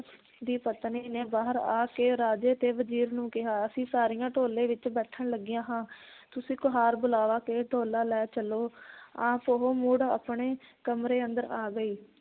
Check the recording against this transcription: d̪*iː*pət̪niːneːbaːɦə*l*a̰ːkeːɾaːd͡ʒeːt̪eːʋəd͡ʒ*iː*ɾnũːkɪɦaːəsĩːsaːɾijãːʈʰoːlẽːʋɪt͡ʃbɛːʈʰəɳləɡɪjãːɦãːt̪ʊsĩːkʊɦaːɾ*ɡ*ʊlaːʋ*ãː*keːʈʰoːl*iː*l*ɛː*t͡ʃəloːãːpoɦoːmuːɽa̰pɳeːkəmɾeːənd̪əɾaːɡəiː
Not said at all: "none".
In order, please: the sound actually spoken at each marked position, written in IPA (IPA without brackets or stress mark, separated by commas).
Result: iː, ɾ, iː, b, aː, aː, ɛː